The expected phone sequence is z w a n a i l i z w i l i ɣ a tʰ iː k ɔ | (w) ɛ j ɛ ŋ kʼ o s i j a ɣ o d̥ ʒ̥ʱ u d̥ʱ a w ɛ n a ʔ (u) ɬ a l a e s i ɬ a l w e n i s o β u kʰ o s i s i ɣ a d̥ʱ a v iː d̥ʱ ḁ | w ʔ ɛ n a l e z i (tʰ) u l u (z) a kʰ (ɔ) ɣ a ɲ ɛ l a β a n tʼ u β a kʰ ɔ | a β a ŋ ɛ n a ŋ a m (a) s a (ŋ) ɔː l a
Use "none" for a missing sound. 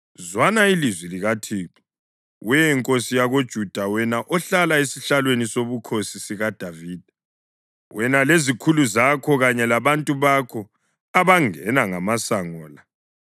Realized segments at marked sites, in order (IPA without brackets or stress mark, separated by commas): w, ɔ, kʰ, z, ɔ, a, ŋ